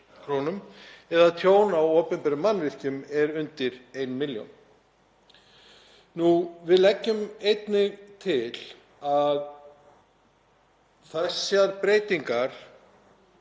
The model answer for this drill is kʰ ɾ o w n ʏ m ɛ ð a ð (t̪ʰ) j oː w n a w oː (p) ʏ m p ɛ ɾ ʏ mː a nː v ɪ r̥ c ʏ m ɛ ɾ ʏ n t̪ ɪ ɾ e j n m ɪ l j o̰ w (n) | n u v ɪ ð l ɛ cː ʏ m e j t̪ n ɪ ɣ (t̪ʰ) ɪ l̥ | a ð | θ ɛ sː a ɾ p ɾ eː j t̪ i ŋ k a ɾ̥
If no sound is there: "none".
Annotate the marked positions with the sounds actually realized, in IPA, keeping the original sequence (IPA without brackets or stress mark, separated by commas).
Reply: t̪ʰ, p, n, t̪ʰ